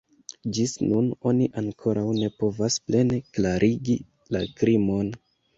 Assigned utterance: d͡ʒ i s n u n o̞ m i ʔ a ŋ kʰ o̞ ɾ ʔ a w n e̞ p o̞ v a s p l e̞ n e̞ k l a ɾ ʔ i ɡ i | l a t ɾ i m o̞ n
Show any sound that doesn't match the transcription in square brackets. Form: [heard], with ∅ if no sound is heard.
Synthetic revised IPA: d͡ʒ i s n u n o̞ [n] i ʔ a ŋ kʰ o̞ ɾ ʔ a w n e̞ p o̞ v a s p l e̞ n e̞ k l a ɾ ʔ i ɡ i | l a [k] ɾ i m o̞ n